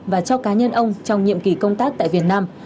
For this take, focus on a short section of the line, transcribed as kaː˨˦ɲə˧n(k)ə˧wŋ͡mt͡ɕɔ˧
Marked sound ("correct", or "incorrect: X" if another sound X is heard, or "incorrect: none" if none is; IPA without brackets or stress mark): incorrect: ʔ